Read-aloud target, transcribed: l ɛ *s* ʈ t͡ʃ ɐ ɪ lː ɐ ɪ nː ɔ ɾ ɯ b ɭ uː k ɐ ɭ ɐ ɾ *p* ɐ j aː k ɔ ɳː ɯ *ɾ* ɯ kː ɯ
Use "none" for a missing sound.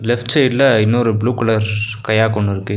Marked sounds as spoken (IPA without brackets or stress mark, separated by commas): f, k, ɾ